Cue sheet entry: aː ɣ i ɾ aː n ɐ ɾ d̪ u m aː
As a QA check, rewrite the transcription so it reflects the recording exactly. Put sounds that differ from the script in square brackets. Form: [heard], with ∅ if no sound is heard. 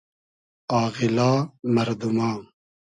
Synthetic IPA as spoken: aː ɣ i [l] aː [m] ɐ ɾ d̪ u m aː